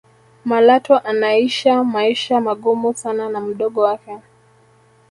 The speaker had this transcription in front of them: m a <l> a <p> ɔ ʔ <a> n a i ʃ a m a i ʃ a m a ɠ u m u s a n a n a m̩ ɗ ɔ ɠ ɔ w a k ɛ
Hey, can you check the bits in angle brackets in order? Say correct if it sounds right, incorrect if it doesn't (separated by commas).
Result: correct, incorrect, correct